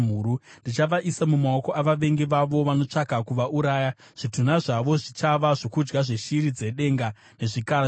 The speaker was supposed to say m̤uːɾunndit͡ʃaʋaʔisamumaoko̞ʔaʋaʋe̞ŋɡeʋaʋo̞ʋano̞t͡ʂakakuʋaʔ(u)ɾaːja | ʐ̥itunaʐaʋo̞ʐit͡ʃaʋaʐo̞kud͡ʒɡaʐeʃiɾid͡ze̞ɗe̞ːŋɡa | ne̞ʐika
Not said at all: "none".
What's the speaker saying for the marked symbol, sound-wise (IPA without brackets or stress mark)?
u